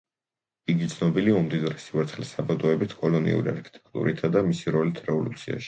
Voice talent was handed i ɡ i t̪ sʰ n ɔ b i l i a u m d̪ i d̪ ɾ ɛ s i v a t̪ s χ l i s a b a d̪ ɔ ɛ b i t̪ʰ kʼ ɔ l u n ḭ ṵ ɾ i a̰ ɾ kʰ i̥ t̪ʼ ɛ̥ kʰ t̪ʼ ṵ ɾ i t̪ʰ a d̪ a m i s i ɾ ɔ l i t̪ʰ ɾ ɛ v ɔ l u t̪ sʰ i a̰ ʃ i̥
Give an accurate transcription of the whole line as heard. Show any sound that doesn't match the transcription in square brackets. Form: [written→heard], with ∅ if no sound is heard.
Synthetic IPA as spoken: i ɡ i t̪ sʰ n ɔ b i l i a u m d̪ i d̪ ɾ ɛ s i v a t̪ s χ l i s a b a d̪ ɔ ɛ b i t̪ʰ kʼ ɔ l [u→ɔ] n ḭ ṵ ɾ i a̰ ɾ kʰ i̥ t̪ʼ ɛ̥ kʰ t̪ʼ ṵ ɾ i t̪ʰ a d̪ a m i s i ɾ ɔ l i t̪ʰ ɾ ɛ v ɔ l u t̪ sʰ i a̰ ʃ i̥